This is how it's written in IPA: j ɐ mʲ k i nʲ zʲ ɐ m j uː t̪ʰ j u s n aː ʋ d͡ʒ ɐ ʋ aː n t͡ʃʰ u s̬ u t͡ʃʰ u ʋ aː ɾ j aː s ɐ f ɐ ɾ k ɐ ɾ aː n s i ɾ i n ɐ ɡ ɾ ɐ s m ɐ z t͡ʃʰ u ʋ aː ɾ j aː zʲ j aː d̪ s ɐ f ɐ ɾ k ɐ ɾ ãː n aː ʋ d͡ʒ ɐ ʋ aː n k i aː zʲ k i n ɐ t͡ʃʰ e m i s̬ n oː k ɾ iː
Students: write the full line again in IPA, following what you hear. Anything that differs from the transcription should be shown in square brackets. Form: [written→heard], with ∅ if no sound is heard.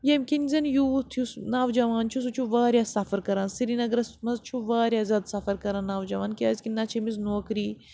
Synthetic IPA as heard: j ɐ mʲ k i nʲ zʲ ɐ [m→n] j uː t̪ʰ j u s n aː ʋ d͡ʒ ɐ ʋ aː n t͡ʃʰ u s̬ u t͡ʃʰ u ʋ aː ɾ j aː s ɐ f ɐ ɾ k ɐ ɾ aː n s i ɾ i n ɐ ɡ ɾ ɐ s m ɐ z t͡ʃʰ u ʋ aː ɾ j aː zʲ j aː d̪ s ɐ f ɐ ɾ k ɐ ɾ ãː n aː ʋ d͡ʒ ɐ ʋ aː n k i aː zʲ k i n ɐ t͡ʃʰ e m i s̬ n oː k ɾ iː

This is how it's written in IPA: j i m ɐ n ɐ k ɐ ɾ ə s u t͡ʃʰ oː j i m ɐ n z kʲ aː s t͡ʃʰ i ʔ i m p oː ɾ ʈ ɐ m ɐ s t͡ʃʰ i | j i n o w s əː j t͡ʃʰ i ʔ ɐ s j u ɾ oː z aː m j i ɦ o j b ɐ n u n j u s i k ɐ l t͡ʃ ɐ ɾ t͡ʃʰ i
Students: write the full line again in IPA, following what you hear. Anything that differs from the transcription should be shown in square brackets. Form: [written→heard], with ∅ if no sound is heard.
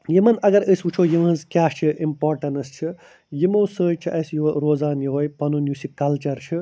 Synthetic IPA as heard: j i m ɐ n ɐ [k→ɡ] ɐ ɾ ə s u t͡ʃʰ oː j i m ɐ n z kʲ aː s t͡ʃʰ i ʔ i m p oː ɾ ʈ ɐ [m→n] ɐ s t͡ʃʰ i | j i [n→m] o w s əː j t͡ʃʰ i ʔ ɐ s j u ɾ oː z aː [m→n] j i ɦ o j [b→p] ɐ n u n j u s i k ɐ l t͡ʃ ɐ ɾ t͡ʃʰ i

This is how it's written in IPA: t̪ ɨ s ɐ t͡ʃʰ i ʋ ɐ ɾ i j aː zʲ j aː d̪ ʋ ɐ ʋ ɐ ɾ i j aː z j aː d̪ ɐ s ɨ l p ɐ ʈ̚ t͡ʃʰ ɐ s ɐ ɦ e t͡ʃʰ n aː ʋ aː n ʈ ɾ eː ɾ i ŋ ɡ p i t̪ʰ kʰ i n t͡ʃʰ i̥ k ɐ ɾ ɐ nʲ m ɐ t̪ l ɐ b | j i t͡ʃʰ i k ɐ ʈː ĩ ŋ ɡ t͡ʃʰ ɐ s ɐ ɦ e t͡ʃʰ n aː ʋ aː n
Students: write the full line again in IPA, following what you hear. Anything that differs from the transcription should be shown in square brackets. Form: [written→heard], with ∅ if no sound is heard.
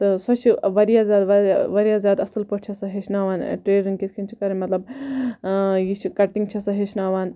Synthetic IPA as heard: t̪ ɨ s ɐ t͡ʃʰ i ʋ ɐ ɾ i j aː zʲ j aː d̪ ʋ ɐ ʋ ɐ ɾ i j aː z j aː d̪ ɐ s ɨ l p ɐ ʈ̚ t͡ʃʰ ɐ s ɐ ɦ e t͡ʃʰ n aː ʋ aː n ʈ ɾ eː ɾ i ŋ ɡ [p→k] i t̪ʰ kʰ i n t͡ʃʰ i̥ k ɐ ɾ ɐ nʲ m ɐ t̪ l ɐ b | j i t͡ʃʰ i k ɐ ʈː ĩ ŋ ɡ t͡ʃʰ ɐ s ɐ ɦ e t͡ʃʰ n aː ʋ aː n

